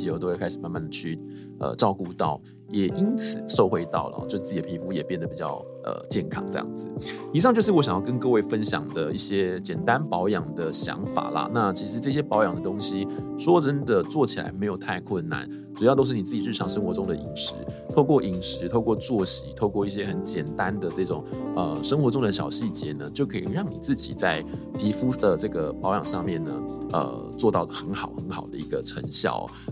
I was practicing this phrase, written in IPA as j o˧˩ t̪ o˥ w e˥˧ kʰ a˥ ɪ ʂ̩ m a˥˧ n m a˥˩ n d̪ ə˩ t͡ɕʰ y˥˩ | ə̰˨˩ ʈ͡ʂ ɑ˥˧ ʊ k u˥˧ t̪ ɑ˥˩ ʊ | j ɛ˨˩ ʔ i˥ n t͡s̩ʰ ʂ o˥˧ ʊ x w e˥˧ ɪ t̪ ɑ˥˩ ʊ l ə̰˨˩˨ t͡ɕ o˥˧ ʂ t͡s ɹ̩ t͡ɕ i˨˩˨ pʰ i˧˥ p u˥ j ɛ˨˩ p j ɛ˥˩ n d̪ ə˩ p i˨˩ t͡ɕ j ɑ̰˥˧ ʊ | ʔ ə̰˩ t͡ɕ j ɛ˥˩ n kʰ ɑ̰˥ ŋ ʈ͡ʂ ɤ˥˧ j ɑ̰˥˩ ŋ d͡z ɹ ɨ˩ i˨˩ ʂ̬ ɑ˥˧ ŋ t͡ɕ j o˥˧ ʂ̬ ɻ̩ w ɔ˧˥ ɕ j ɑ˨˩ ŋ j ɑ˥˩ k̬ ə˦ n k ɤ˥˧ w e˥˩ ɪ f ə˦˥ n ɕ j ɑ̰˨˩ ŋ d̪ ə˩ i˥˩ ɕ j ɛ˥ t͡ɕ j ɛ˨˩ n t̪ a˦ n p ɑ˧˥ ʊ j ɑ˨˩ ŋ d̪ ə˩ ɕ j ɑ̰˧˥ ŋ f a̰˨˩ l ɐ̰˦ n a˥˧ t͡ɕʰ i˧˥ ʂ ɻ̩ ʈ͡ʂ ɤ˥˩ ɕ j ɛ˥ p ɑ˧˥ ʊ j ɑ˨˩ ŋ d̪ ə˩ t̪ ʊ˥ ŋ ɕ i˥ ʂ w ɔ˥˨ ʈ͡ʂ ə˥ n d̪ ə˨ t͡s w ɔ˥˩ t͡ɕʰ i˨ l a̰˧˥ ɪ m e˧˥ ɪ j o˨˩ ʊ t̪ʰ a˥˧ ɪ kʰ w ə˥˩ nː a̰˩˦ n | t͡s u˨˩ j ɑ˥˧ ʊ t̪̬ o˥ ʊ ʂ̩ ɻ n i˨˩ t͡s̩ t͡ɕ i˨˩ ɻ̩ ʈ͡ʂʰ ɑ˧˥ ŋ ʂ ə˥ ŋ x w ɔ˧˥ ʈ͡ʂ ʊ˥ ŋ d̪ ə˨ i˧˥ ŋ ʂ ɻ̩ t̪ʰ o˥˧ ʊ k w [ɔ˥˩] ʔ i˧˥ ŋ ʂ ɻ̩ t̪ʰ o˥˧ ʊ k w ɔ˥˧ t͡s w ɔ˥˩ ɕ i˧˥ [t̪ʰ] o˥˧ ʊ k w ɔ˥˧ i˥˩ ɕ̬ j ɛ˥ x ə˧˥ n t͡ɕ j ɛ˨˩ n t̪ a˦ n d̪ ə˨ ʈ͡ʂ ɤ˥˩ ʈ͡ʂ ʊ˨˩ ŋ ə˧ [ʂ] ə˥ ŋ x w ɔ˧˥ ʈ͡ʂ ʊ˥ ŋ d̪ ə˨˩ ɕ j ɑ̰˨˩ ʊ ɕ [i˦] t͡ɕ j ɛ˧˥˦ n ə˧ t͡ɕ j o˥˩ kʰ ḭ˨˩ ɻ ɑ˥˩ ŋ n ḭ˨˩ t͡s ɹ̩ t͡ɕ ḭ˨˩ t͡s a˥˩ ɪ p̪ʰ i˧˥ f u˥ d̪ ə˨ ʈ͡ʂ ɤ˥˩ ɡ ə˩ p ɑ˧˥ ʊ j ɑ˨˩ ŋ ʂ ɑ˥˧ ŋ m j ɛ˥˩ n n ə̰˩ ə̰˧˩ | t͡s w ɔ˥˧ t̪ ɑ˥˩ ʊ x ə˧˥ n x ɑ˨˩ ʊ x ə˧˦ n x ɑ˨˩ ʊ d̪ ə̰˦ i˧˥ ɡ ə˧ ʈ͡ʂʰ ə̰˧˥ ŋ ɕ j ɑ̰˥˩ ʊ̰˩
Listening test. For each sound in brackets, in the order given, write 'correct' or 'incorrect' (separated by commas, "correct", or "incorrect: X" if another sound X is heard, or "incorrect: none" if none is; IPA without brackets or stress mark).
correct, correct, correct, incorrect: i˥˩